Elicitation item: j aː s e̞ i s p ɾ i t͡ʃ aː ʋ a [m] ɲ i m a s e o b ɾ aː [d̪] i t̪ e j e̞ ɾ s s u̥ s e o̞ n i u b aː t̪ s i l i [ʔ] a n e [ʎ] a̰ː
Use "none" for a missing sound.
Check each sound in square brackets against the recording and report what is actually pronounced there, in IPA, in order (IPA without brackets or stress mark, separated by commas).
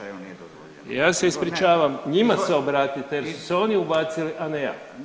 m, t̪, ʔ, j